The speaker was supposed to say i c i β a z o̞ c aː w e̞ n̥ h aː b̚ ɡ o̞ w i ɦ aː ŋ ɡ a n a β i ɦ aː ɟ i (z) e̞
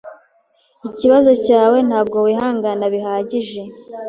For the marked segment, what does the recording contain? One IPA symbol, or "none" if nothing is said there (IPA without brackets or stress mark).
ʒ